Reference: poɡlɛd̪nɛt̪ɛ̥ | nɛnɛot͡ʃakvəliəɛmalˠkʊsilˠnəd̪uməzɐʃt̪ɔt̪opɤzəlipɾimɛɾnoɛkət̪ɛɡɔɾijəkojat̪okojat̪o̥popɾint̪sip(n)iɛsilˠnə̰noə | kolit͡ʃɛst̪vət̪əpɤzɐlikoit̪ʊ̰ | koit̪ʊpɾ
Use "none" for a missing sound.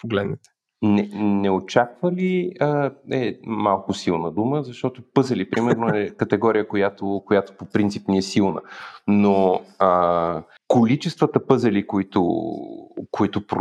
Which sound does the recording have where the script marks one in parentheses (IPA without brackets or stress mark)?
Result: n